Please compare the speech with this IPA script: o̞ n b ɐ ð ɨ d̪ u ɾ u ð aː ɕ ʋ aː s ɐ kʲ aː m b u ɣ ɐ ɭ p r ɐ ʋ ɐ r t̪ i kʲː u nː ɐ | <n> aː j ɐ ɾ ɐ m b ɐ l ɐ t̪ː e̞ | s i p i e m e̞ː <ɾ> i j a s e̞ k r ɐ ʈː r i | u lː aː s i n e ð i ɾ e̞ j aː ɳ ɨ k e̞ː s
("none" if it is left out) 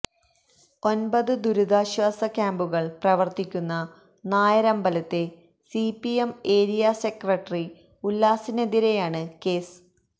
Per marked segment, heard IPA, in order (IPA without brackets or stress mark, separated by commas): n, ɾ